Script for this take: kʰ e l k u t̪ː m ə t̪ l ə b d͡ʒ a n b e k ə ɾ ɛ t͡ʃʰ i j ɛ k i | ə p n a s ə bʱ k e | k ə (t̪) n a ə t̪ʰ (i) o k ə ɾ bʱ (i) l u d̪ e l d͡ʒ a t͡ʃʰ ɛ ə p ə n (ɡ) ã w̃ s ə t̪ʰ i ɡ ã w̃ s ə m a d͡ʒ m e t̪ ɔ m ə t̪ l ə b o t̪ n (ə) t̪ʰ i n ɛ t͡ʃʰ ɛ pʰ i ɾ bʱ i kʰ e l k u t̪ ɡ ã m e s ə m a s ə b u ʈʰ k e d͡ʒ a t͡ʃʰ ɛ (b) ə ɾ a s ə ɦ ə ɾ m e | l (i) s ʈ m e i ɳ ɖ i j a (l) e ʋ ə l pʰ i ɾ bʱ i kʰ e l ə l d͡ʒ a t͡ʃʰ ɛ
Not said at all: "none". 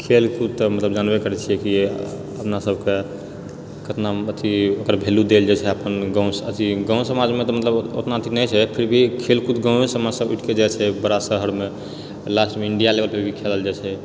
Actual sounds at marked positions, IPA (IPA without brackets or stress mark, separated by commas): t̪, i, e, ɡ, a, b, a, l